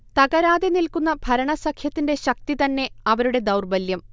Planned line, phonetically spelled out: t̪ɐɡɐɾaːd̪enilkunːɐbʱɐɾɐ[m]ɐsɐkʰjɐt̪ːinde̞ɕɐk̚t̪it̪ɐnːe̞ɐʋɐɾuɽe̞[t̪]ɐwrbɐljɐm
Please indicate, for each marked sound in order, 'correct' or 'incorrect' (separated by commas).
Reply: incorrect, incorrect